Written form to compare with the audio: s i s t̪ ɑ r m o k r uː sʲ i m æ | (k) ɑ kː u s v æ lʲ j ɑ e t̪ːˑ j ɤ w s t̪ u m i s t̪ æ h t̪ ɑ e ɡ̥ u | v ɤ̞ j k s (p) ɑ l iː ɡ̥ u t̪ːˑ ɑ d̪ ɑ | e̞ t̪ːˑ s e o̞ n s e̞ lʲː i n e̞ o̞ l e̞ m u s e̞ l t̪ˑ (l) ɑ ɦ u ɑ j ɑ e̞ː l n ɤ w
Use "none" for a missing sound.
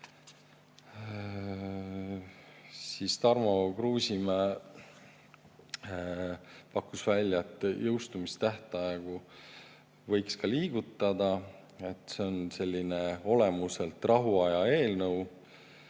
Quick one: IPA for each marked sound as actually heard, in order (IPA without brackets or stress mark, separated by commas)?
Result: p, k, r